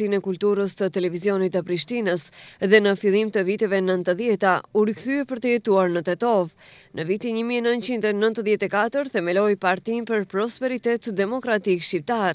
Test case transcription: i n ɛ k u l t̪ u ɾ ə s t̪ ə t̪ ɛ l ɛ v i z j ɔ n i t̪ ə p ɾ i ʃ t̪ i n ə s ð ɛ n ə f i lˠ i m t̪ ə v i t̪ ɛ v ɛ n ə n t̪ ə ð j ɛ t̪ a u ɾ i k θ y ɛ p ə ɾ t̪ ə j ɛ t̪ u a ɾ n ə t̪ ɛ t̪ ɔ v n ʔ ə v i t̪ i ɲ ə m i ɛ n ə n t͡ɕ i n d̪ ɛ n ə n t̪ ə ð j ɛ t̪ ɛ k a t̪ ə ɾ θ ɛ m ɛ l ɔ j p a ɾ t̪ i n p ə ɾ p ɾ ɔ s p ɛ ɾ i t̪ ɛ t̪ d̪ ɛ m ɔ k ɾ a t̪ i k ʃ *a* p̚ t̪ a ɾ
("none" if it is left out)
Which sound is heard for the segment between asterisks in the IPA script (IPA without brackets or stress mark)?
i